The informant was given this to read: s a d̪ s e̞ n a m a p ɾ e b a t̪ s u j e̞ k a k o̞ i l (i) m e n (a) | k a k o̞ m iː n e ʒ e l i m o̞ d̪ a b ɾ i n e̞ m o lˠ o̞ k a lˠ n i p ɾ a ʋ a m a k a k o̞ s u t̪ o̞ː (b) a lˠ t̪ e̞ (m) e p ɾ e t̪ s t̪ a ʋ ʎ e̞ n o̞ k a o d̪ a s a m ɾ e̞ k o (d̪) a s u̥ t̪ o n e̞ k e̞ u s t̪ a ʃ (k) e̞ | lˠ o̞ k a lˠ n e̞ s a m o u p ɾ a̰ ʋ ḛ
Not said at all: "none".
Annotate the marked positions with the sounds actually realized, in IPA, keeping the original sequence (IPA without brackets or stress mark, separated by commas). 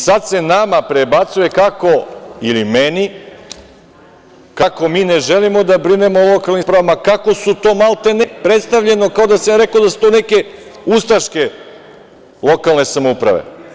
i, i, m, n, d̪, k